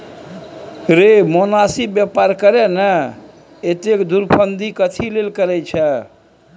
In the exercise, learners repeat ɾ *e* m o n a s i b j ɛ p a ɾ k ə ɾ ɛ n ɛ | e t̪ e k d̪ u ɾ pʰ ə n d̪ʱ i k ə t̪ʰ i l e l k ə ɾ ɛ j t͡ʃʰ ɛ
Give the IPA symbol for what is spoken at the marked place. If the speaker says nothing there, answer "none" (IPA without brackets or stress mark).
e